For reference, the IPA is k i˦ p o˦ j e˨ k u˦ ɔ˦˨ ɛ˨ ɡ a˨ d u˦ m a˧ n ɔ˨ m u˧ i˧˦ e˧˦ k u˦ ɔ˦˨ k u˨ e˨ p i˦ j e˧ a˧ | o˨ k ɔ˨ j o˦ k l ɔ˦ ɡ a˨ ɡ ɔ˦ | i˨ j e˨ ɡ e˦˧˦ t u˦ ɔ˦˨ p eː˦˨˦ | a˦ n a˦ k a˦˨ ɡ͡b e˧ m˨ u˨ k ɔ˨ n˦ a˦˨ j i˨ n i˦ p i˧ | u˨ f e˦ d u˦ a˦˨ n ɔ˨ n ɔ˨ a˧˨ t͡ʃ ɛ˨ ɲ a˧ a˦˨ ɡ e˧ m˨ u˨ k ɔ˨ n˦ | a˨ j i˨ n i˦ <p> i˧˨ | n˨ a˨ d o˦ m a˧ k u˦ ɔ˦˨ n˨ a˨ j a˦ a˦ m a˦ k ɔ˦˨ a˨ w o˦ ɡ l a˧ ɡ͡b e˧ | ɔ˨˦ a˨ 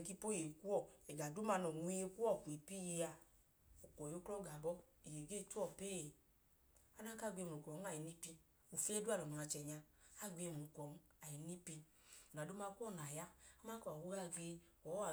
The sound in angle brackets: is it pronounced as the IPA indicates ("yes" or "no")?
yes